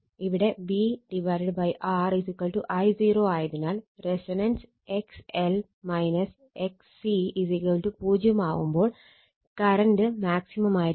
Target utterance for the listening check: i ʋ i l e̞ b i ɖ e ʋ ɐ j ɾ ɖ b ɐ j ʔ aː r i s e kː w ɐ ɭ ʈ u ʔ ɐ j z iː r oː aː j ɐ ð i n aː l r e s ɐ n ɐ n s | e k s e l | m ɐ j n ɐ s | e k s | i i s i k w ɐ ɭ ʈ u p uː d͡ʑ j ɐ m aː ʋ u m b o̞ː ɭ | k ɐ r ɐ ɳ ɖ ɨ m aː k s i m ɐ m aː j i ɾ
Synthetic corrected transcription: i ʋ i ɽ e̞ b i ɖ i ʋ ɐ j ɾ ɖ b ɐ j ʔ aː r i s i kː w ɐ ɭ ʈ u ʔ ɐ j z iː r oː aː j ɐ ð i n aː l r e s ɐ n ɐ n s | e k s e l | m ɐ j n ɐ s | e k s | i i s i k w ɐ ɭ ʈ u p uː d͡ʑ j ɐ m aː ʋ u m b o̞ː ɭ | k ɐ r ɐ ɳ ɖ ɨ m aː k s i m ɐ m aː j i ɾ